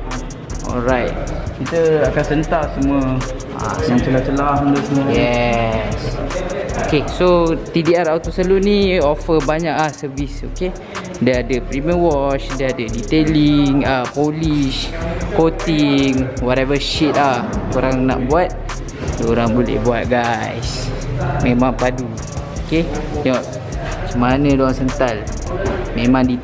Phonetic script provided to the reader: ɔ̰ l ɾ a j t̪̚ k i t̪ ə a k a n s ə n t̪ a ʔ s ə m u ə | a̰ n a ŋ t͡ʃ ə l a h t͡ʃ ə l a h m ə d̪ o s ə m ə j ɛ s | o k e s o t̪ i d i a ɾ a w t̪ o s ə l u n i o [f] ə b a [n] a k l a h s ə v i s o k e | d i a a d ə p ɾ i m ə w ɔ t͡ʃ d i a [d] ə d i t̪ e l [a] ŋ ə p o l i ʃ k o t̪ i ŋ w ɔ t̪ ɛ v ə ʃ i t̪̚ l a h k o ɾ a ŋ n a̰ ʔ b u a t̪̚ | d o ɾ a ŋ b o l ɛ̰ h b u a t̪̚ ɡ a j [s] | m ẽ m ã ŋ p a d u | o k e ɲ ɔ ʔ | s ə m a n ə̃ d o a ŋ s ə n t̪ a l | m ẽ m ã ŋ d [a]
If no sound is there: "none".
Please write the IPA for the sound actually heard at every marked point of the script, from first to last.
f, ɲ, d, i, s, i

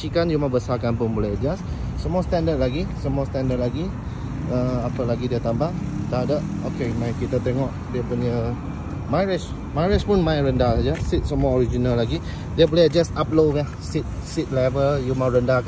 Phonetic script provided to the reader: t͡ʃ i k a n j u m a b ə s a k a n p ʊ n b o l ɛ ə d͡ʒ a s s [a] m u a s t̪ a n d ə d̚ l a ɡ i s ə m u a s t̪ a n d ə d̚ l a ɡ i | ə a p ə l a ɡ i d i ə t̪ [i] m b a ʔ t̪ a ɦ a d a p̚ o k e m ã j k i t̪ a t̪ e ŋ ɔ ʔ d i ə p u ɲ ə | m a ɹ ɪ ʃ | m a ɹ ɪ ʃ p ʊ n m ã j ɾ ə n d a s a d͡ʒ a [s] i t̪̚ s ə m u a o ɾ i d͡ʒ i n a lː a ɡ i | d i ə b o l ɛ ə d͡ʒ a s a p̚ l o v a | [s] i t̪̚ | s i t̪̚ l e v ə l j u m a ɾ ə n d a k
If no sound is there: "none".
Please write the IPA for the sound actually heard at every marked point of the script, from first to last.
ə, a, s, s

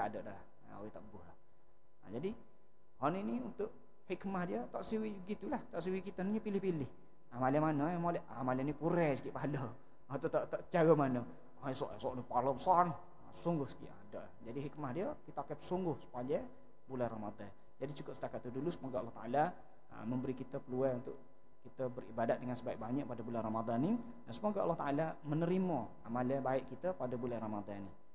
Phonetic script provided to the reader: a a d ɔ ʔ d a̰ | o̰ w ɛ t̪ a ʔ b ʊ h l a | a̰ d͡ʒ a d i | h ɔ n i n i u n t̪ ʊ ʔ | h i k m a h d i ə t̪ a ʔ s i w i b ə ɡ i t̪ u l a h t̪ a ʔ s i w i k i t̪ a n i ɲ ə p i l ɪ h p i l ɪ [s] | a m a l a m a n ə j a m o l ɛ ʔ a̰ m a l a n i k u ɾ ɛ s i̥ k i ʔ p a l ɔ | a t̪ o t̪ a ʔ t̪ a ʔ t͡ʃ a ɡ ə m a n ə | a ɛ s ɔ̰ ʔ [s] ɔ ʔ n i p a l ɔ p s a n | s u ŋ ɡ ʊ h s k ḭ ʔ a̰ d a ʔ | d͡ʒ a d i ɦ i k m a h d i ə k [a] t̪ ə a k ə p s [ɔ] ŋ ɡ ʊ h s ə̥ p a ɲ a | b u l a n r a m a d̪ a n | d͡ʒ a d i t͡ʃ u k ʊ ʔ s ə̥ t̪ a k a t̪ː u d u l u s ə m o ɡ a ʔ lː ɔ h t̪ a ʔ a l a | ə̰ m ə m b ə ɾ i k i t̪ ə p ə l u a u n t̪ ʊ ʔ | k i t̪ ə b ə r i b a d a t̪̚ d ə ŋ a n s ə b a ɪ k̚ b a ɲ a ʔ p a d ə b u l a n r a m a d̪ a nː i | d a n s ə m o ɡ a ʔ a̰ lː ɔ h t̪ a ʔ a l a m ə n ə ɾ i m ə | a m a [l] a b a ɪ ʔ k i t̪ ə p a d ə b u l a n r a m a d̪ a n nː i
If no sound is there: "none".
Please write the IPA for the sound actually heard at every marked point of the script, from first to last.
h, s, i, u, l

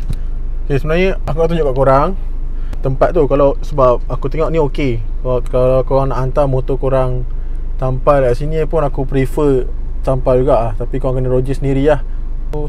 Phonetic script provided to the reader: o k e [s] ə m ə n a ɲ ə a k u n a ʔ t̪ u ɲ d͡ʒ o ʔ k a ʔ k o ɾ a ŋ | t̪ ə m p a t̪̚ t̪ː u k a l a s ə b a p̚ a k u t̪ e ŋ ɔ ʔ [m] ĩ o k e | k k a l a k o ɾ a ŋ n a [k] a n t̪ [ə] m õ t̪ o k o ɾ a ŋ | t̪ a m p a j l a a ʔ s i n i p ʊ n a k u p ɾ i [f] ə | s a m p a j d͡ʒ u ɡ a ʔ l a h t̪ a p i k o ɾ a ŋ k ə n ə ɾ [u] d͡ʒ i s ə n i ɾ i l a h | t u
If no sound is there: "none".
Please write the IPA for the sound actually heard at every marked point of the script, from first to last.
s, n, ʔ, a, f, o

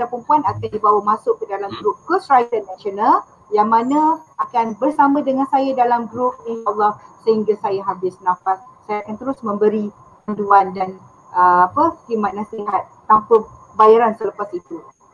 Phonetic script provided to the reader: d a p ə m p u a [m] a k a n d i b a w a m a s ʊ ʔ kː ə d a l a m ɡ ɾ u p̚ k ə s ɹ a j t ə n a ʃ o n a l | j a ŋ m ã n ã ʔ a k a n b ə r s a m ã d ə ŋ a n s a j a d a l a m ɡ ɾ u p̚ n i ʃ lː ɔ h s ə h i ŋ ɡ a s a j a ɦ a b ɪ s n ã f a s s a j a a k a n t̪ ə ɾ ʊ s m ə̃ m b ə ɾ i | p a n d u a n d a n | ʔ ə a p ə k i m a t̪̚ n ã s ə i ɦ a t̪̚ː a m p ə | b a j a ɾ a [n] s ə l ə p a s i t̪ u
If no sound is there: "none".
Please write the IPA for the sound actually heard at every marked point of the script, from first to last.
n, n

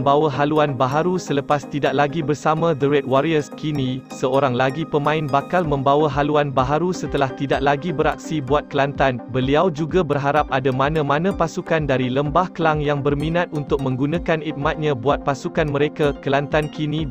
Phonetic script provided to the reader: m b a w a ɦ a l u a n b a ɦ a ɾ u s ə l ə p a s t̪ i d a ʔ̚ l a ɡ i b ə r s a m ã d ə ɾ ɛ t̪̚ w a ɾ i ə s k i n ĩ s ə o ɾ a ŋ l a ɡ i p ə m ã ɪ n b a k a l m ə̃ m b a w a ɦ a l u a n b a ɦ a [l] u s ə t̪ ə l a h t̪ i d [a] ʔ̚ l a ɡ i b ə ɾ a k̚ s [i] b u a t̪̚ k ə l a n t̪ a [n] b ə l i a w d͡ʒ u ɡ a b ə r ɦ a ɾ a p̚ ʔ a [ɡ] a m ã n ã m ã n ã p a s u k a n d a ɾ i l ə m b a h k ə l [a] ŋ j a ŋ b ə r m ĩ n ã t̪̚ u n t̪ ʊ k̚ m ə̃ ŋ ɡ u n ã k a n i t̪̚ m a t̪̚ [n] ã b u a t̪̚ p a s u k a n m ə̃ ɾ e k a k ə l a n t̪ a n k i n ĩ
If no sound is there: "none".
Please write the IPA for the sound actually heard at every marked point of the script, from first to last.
ɾ, a, i, n, d, a, ɲ

